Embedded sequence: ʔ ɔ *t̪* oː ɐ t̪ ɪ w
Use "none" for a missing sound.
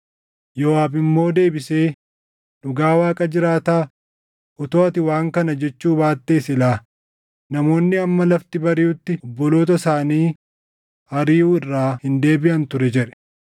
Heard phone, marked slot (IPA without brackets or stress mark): t̪